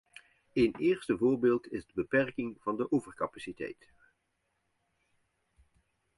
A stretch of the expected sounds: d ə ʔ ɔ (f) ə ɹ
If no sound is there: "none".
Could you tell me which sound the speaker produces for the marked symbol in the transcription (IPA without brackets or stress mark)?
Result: v